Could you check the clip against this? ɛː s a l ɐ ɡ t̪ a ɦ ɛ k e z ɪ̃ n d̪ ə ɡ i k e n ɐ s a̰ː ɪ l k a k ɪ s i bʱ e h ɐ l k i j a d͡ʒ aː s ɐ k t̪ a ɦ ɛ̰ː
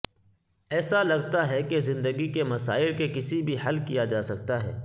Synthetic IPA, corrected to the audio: ɛː s a l ɐ ɡ t̪ a ɦ ɛ k e z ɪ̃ n d̪ ə ɡ i k e m ɐ s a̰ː ɪ l k e k ɪ s i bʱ i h ɐ l k i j a d͡ʒ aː s ɐ k t̪ a ɦ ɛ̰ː